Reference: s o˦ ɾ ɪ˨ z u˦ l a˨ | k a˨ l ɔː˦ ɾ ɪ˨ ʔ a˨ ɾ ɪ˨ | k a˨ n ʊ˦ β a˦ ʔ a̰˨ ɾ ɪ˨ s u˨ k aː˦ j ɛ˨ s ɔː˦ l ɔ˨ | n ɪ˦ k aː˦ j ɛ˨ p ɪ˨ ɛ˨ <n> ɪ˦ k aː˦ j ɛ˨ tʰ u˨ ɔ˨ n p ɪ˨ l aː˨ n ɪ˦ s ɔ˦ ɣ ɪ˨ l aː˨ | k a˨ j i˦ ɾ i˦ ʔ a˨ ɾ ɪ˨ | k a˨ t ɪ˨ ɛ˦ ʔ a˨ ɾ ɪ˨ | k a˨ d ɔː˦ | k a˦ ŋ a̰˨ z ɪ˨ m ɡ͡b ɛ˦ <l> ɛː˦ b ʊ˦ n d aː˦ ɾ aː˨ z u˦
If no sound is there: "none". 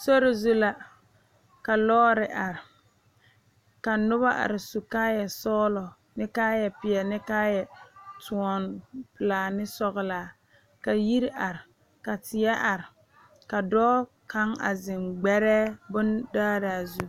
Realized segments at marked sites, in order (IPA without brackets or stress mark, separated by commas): n, ɾ